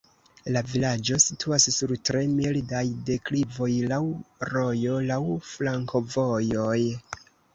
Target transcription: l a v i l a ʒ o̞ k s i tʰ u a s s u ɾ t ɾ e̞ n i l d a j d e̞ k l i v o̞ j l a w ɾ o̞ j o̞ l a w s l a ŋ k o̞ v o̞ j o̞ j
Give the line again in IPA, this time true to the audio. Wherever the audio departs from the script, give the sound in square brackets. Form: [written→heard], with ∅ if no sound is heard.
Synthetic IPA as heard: l a v i l a [ʒ→d͡ʒ] o̞ [k→∅] s i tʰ u a s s u ɾ t ɾ e̞ [n→m] i l d a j d e̞ k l i v o̞ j l a w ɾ o̞ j o̞ l a w [s→f] l a ŋ k o̞ v o̞ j o̞ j